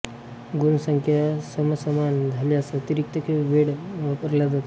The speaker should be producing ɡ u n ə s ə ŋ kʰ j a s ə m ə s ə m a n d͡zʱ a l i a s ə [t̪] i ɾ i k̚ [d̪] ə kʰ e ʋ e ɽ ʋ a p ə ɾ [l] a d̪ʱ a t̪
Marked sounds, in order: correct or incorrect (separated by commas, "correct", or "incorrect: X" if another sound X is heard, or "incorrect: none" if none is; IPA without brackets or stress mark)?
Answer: correct, incorrect: t̪, correct